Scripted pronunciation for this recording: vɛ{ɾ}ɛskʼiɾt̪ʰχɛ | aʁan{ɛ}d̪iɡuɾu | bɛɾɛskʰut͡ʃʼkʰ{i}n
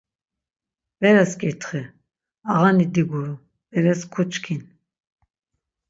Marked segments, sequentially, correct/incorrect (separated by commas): correct, incorrect, correct